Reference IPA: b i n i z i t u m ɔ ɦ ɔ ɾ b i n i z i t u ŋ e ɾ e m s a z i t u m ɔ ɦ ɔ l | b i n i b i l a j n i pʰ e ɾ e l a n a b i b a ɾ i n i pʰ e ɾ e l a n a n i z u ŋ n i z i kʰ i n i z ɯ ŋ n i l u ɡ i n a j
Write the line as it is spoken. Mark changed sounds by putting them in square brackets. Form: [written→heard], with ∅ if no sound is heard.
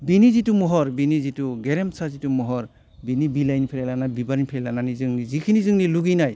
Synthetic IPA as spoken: b i n i z i t u m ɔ ɦ ɔ ɾ b i n i z i t u [ŋ→ɡ] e ɾ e m s a z i t u m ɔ ɦ ɔ [l→ɾ] | b i n i b i l a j n i pʰ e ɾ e l a n a b i b a ɾ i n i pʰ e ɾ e l a n a n i z [u→ɯ] ŋ n i z i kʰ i n i z ɯ ŋ n i l u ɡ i n a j